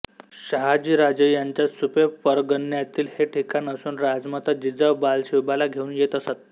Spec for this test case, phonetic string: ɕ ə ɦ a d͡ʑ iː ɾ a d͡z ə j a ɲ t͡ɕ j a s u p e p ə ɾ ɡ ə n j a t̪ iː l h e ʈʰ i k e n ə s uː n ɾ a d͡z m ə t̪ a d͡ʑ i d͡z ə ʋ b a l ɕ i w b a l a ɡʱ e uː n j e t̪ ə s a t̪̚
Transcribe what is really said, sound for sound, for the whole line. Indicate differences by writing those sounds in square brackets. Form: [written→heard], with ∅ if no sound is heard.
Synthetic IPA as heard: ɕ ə ɦ a d͡ʑ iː ɾ a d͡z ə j a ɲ t͡ɕ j a s u p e p ə ɾ ɡ ə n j a t̪ iː l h e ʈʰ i k [e→a] n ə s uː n ɾ a d͡z m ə t̪ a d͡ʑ i d͡z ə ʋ b a l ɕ i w b a l a ɡʱ e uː n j e t̪ ə s a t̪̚

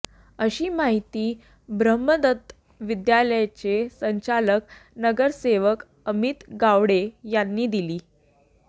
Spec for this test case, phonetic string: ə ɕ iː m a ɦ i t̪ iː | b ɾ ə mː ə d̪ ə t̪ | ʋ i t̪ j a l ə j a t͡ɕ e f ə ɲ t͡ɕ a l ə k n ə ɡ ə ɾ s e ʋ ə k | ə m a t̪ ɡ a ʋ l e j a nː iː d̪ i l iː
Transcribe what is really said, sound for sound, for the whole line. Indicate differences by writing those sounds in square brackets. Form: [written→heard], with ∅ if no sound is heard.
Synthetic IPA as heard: ə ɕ iː m a ɦ i t̪ iː | b ɾ ə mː ə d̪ ə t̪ | ʋ i [t̪→d̪] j a l ə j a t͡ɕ e [f→s] ə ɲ t͡ɕ a l ə k n ə ɡ ə ɾ s e ʋ ə k | ə m [a→i] t̪ ɡ a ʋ [l→ɽ] e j a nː iː d̪ i l iː

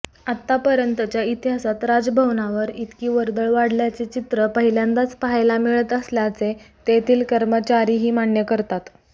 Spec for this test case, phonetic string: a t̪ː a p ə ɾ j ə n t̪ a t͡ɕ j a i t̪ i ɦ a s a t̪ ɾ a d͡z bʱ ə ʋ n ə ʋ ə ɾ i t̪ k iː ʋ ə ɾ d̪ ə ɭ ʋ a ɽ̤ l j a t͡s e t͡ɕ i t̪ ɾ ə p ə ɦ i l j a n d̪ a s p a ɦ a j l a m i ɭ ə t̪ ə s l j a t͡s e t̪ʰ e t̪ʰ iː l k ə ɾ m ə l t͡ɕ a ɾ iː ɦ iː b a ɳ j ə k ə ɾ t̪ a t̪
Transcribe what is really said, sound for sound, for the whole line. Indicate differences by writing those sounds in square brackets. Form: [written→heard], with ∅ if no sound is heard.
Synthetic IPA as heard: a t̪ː a p ə ɾ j ə n t̪ [a→ə] t͡ɕ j a i t̪ i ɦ a s a t̪ ɾ a d͡z bʱ ə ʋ n [ə→a] ʋ ə ɾ i t̪ k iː ʋ ə ɾ d̪ ə ɭ ʋ a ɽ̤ l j a t͡s e t͡ɕ i t̪ ɾ ə p ə ɦ i l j a n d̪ a [s→t͡s] p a ɦ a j l a m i ɭ ə t̪ ə s l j a t͡s e [t̪ʰ→t̪] e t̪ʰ iː l k ə ɾ m ə [l→∅] t͡ɕ a ɾ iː ɦ iː [b→m] a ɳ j ə k ə ɾ t̪ a t̪

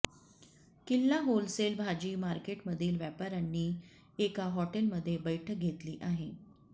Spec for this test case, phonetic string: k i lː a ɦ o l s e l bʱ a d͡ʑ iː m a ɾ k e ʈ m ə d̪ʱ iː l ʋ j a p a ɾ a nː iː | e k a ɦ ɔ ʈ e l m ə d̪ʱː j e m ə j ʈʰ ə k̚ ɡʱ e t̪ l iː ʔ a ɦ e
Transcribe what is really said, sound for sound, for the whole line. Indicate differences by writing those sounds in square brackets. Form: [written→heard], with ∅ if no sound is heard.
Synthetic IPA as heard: k i lː a ɦ o l s e l bʱ a d͡ʑ iː m a ɾ k e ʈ m ə d̪ʱ iː l ʋ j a p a ɾ a nː iː | e k a ɦ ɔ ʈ e l m ə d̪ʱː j e [m→b] ə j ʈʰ ə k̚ ɡʱ e t̪ l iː ʔ a ɦ e

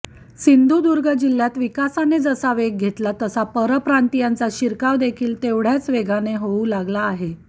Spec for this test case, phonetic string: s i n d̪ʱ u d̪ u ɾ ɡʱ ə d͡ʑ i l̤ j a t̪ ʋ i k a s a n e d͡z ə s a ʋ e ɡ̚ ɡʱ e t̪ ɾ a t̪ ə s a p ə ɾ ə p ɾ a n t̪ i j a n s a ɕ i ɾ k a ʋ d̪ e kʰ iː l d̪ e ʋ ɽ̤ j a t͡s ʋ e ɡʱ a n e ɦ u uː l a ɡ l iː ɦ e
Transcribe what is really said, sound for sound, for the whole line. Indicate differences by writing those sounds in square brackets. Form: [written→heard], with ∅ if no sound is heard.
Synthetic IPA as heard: s i n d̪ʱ u d̪ u ɾ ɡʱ ə d͡ʑ i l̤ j a t̪ ʋ i k a s a n e d͡z ə s a ʋ e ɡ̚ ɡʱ e t̪ [ɾ→l] a t̪ ə s a p ə ɾ ə p ɾ a n t̪ i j a n [s→t͡s] a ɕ i ɾ k a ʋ d̪ e kʰ iː l [d̪→t̪] e ʋ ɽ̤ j a t͡s ʋ e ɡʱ a n e ɦ [u→o] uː l a ɡ l [iː→aː] ɦ e

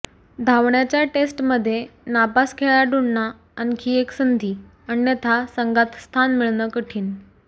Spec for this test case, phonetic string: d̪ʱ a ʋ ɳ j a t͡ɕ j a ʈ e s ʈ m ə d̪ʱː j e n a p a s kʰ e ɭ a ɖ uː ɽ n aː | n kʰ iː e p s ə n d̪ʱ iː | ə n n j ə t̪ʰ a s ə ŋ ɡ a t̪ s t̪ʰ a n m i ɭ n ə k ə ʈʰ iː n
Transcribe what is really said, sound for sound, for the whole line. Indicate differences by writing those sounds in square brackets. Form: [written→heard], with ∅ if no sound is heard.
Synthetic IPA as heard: d̪ʱ a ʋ ɳ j a t͡ɕ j a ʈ e s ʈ m ə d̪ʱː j e n a p a s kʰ e ɭ a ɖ [uː→u] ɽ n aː | n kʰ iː e [p→k] s ə n d̪ʱ iː | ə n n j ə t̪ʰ a s ə ŋ ɡ a t̪ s t̪ʰ a n m i ɭ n ə k ə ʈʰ iː n

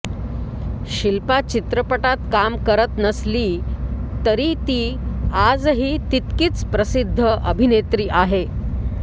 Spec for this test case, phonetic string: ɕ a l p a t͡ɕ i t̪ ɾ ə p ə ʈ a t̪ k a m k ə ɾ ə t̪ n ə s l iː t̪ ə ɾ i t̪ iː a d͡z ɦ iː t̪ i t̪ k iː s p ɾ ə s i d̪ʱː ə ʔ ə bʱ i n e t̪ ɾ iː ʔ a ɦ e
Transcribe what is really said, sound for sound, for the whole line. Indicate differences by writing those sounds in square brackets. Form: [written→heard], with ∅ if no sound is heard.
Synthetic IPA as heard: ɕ [a→i] l p a t͡ɕ i t̪ ɾ ə p ə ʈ a t̪ k a m k ə ɾ ə t̪ n ə s l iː t̪ ə ɾ i t̪ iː a d͡z ɦ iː t̪ i t̪ k iː [s→t͡s] p ɾ ə s i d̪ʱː ə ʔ ə bʱ i n e t̪ ɾ iː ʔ a ɦ e

